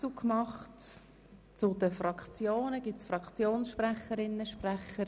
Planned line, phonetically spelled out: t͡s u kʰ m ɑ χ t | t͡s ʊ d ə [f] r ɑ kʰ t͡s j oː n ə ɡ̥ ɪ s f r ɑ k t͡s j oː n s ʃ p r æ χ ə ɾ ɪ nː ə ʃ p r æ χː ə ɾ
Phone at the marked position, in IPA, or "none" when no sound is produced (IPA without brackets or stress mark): f